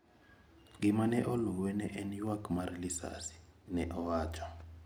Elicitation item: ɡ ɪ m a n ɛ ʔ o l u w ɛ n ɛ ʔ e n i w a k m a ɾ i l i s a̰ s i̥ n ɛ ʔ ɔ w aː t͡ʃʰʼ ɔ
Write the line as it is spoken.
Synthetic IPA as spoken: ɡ i m a n ɛ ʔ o l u w ɛ n ɛ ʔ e n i w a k m a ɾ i l i s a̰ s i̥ n ɛ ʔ ɔ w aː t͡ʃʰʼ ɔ

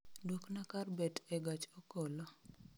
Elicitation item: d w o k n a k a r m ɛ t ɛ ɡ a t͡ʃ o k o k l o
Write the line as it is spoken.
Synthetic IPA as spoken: d w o k n a k a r b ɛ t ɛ ɡ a t͡ʃ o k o l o

